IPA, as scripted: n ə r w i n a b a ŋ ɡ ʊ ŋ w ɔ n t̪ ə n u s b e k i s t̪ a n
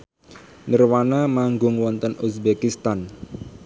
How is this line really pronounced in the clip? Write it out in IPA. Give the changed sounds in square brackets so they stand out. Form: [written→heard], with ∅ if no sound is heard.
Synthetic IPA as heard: n ə r w [i→a] n a [b→m] a ŋ ɡ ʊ ŋ w ɔ n t̪ ə n u s b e k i s t̪ a n